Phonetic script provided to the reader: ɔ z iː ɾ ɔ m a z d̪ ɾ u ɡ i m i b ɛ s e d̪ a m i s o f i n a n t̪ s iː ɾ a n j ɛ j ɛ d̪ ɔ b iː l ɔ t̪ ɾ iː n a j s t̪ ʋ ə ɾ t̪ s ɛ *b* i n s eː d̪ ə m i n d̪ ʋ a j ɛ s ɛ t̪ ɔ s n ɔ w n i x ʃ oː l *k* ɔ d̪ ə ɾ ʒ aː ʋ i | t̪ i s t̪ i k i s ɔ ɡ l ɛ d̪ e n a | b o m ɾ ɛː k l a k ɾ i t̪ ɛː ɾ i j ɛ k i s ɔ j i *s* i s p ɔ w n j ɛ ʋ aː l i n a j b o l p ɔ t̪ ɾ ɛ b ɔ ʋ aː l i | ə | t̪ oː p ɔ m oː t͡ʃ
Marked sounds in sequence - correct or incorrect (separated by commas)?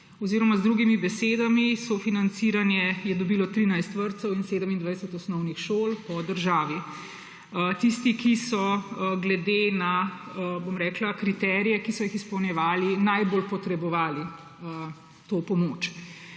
incorrect, incorrect, incorrect